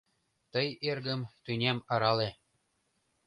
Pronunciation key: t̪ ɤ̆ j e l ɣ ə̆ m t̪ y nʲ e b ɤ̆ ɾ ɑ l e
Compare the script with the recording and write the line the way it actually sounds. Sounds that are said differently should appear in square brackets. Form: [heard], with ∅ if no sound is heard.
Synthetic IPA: t̪ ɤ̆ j e [r] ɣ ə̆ m t̪ y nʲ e [m] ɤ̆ ɾ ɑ l e